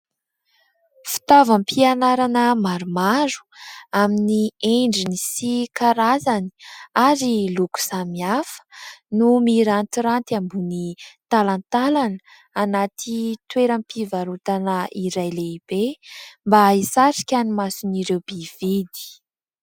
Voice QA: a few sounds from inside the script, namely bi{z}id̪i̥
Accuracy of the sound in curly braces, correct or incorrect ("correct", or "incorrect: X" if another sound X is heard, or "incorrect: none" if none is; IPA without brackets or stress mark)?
incorrect: v